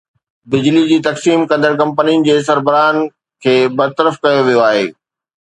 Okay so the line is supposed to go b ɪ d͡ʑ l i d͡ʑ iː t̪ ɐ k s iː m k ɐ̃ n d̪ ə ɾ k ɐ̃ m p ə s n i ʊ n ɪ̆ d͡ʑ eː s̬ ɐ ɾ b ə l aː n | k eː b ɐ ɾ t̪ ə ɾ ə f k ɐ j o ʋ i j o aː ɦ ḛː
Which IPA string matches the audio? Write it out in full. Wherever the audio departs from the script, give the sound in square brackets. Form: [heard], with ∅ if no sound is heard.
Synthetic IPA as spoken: b ɪ d͡ʑ l i d͡ʑ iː t̪ ɐ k s iː m k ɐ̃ n d̪ ə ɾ k ɐ̃ m p ə [∅] n i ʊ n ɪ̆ d͡ʑ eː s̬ ɐ ɾ b ə [ɾ] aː n | [kʰ] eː b ɐ ɾ t̪ ə ɾ ə f k ɐ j o ʋ i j o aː ɦ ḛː

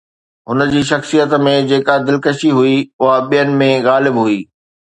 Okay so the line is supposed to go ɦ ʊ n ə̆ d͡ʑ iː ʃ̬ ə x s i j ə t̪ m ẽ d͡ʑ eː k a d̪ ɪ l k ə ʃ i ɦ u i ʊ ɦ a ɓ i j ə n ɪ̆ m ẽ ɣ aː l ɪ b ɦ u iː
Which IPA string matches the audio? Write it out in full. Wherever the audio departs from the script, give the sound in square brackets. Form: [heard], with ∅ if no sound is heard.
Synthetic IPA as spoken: ɦ ʊ n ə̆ d͡ʑ iː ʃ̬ [ɐ] x s i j ə t̪ m ẽ d͡ʑ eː k a d̪ ɪ l k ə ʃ i ɦ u i ʊ ɦ a ɓ i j ə n ɪ̆ m ẽ ɣ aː l ɪ b ɦ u iː

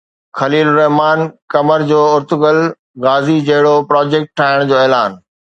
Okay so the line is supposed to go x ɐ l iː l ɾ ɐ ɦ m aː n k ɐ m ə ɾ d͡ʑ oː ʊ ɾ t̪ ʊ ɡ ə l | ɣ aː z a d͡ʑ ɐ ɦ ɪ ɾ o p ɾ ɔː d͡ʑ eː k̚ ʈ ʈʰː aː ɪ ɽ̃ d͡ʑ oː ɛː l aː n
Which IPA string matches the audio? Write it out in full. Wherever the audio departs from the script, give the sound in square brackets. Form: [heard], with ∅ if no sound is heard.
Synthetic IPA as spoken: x ɐ l iː l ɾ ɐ ɦ m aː n k ɐ m ə ɾ d͡ʑ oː ʊ ɾ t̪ ʊ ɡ ə l | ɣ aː z [i] d͡ʑ ɐ ɦ ɪ [ɽ] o p ɾ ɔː d͡ʑ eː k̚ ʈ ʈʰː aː ɪ ɽ̃ d͡ʑ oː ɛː l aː n

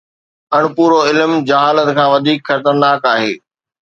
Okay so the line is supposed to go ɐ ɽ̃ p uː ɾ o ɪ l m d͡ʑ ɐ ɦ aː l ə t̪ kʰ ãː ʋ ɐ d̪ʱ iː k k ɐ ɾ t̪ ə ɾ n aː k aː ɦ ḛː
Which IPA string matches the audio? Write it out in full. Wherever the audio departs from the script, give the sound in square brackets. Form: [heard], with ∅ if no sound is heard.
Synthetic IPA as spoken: ɐ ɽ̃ p uː ɾ o ɪ l m d͡ʑ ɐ ɦ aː l ə t̪ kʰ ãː ʋ ɐ d̪ʱ iː k [x] ɐ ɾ t̪ ə ɾ n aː k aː ɦ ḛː

